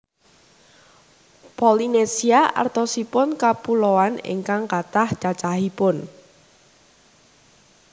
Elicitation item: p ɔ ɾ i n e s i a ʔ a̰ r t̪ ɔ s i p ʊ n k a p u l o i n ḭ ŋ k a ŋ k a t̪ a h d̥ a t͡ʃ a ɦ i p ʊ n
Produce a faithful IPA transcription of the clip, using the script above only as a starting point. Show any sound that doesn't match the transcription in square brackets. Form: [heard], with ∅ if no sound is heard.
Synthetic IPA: p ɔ [l] i n e s i a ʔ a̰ r t̪ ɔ s i p ʊ n k a p u l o [a] n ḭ ŋ k a ŋ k a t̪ a h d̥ a t͡ʃ a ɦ i p ʊ n

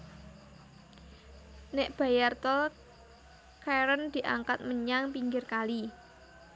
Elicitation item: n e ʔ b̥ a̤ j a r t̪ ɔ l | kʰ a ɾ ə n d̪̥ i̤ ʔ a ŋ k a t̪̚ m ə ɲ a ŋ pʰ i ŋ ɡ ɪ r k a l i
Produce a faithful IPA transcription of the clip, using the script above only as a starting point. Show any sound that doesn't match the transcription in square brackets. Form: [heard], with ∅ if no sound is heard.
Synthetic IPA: n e ʔ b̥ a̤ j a r t̪ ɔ l | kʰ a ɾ ə n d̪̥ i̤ ʔ a ŋ k a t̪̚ m ə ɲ a ŋ [p] i ŋ ɡ ɪ r k a l i

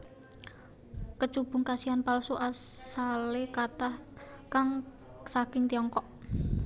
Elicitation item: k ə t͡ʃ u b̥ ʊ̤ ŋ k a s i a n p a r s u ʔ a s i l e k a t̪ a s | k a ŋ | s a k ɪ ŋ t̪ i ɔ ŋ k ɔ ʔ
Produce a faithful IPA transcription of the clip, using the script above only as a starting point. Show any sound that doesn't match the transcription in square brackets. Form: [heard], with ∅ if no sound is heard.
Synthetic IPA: k ə t͡ʃ u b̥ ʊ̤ ŋ k a s i a n p a [l] s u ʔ a s [a] l e k a t̪ a [h] | k a ŋ | s a k ɪ ŋ t̪ i ɔ ŋ k ɔ ʔ

